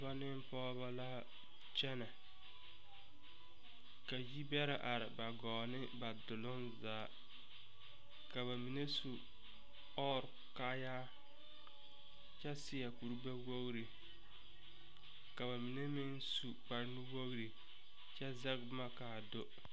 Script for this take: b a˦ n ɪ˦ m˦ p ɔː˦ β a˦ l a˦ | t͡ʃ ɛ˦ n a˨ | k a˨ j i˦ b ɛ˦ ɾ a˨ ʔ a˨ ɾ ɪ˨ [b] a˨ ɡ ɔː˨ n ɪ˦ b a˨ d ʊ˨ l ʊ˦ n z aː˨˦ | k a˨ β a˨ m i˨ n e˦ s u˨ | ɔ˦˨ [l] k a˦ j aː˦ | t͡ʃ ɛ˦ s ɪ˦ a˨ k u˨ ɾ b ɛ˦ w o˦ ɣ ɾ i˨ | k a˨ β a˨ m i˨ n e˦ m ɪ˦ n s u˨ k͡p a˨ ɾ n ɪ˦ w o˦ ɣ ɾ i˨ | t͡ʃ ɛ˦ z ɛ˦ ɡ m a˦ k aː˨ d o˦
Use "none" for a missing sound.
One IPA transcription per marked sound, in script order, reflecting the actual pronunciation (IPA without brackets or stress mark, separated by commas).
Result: b, ɾ